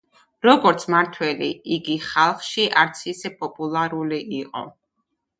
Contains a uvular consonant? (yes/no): yes